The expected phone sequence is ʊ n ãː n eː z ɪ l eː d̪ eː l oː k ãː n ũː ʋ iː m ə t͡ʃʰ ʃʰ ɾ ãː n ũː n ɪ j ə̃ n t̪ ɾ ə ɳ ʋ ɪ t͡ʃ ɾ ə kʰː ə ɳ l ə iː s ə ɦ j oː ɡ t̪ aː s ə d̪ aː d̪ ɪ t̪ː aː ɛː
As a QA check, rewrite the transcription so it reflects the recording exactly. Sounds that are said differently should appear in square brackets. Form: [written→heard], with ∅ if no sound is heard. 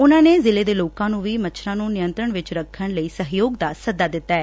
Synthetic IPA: ʊ n ãː n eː z ɪ l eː d̪ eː l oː k ãː n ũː ʋ iː m ə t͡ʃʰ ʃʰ ɾ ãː n ũː n ɪ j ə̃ n t̪ ɾ ə ɳ ʋ ɪ t͡ʃ ɾ ə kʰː ə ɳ l ə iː s ə ɦ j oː ɡ [t̪→d̪] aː s ə d̪ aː d̪ ɪ t̪ː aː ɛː